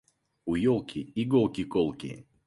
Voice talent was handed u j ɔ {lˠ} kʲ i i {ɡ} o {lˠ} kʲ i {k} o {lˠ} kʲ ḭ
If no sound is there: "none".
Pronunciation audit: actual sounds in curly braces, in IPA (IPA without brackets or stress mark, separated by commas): lˠ, ɡ, lˠ, k, lˠ